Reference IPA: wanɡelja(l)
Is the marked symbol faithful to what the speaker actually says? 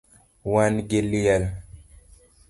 yes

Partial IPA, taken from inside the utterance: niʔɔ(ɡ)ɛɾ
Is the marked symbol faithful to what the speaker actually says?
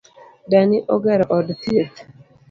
yes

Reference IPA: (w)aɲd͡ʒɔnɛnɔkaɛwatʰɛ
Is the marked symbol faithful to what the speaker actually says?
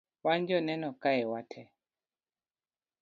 yes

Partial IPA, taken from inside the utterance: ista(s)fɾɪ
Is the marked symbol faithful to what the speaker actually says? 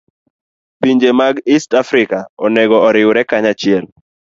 no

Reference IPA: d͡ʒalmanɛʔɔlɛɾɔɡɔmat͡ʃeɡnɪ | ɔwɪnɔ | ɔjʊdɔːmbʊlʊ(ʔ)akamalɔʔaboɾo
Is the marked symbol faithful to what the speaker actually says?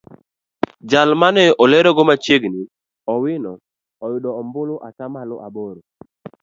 yes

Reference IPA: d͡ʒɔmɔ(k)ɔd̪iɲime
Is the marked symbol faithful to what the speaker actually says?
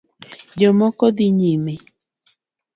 yes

